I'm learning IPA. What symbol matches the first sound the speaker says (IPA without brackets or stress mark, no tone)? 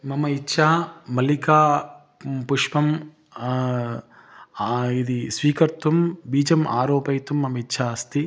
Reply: m